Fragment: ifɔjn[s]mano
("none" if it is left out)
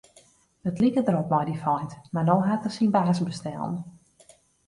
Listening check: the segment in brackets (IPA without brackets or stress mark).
t